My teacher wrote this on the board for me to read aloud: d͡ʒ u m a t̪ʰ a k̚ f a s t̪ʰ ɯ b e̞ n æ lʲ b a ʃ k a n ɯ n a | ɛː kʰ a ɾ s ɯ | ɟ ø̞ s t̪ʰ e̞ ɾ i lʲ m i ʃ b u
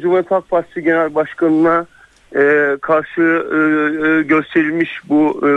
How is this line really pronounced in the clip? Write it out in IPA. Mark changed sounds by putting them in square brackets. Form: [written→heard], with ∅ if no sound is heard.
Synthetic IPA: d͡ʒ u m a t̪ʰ a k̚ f a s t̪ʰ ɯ [b→ɟ] e̞ n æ lʲ b a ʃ k a n ɯ n a | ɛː kʰ a ɾ [s→ʃ] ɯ | ɟ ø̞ s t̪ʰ e̞ ɾ i lʲ m i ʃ b u